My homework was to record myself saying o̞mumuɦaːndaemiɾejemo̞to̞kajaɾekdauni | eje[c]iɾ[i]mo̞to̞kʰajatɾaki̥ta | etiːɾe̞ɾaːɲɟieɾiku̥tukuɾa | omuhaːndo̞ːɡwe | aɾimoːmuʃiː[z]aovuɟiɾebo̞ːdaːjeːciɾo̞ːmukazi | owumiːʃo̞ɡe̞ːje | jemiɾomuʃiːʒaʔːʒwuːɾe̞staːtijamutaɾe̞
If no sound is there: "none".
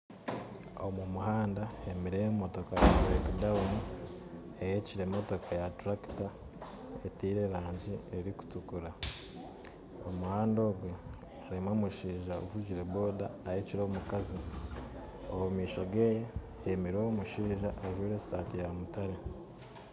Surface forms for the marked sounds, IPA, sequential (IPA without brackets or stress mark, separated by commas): c, e, ʒ